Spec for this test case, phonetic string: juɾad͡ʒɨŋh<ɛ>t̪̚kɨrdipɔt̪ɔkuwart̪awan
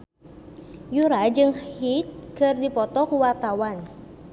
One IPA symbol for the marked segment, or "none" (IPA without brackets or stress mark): i